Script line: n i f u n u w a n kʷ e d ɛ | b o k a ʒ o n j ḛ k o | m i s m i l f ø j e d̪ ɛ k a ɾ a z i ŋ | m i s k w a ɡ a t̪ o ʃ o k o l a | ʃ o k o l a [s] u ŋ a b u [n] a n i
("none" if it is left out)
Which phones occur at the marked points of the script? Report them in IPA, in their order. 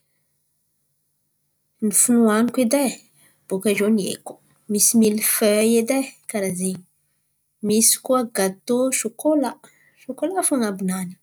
f, n

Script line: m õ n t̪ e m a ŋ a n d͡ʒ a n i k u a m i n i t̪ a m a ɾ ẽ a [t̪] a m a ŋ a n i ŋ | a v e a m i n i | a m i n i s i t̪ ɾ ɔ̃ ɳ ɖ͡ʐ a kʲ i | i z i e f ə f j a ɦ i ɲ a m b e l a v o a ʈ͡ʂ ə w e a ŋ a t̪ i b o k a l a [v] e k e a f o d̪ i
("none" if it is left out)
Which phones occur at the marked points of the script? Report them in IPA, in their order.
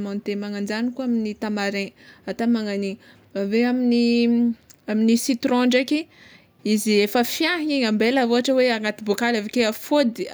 t̪, v

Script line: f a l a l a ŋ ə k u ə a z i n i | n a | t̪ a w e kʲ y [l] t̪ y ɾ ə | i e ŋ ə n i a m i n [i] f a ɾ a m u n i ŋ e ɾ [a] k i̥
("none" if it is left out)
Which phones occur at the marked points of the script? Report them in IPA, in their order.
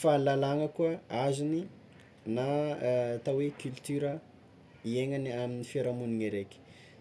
l, i, e

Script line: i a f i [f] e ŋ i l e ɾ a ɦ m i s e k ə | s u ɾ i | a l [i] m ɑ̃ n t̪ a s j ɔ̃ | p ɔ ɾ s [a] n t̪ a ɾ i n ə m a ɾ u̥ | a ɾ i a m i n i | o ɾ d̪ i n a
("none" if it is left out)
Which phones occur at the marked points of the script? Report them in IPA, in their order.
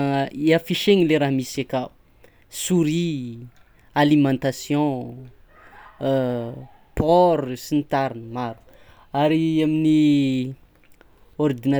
ʃ, i, i

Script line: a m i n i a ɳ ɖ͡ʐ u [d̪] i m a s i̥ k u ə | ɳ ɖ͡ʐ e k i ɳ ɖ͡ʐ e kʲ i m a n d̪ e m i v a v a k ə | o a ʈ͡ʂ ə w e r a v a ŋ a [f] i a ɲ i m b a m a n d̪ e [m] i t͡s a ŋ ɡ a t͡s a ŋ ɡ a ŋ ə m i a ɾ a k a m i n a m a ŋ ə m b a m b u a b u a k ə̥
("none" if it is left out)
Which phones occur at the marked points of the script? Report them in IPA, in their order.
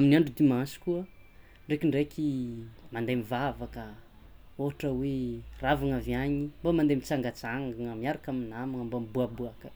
d̪, v, m

